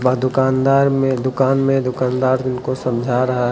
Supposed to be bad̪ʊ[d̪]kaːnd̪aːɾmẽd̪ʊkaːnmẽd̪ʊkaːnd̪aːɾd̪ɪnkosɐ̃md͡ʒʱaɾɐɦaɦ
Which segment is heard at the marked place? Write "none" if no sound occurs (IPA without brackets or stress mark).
none